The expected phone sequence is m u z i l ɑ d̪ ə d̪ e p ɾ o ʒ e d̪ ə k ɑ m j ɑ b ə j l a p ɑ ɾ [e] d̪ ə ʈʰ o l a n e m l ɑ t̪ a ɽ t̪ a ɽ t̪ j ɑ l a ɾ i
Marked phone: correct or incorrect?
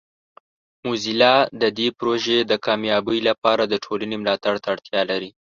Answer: incorrect